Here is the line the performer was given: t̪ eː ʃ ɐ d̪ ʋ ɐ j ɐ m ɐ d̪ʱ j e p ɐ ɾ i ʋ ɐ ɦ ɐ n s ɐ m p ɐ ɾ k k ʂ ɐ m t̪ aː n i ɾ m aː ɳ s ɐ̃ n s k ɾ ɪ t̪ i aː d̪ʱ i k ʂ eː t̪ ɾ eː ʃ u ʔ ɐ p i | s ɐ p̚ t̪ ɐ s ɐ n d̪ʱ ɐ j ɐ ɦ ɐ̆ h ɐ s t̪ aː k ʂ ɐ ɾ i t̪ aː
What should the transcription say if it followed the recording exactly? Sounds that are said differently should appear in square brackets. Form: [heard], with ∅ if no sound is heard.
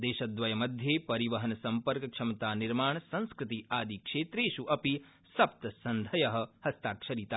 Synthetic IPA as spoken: [d̪] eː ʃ ɐ d̪ ʋ ɐ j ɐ m ɐ d̪ʱ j e p ɐ ɾ i ʋ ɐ ɦ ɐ n s ɐ m p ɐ ɾ k k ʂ ɐ m t̪ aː n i ɾ m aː ɳ s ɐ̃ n s k ɾ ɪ t̪ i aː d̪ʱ i k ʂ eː t̪ ɾ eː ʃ u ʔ ɐ p i | s ɐ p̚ t̪ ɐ s ɐ n d̪ʱ ɐ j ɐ ɦ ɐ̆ h ɐ s t̪ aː k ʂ ɐ ɾ i t̪ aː